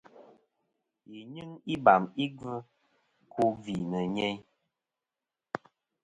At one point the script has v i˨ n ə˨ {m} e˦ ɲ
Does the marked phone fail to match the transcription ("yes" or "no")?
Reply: yes